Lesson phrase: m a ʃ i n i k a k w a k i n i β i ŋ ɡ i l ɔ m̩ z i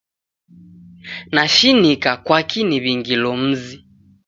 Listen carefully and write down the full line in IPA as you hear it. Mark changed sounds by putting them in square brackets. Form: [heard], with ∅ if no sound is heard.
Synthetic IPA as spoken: [n] a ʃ i n i k a k w a k i n i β i ŋ ɡ i l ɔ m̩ z i